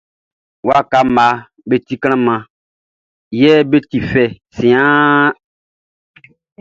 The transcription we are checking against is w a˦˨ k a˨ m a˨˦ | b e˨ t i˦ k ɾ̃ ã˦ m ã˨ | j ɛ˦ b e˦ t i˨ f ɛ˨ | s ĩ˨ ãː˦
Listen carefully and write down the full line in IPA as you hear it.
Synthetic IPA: w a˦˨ k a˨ m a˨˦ | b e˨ t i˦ k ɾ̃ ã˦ m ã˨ | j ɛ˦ b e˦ t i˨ f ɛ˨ | s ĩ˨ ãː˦